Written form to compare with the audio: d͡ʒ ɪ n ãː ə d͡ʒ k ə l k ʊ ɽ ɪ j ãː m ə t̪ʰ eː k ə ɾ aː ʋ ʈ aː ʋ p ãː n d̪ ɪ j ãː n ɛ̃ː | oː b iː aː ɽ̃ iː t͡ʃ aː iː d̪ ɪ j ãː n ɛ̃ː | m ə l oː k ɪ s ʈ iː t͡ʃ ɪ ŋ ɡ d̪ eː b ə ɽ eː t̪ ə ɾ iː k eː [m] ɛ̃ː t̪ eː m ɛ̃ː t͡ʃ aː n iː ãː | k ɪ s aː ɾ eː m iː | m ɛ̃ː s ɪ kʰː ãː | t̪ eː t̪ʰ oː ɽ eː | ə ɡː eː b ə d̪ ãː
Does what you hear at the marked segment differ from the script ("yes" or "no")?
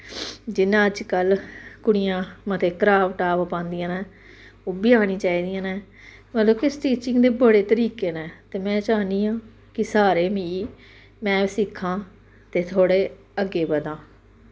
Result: yes